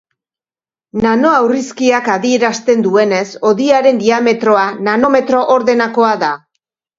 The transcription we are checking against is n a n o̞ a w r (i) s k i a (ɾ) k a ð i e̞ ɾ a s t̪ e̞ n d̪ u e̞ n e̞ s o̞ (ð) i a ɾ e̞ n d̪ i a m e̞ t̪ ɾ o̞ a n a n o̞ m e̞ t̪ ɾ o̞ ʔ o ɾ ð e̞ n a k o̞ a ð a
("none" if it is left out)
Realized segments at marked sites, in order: i, none, ð

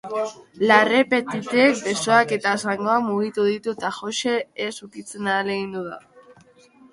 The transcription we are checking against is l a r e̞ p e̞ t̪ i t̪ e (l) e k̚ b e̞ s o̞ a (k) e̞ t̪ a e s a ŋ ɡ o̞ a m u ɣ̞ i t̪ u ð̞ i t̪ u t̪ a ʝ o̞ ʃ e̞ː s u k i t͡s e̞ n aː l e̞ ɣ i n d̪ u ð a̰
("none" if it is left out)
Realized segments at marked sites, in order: none, k

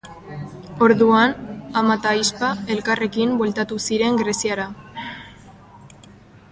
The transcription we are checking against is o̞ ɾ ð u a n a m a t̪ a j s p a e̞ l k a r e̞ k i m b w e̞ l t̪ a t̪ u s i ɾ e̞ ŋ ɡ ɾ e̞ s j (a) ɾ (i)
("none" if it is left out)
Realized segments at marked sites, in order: a, a

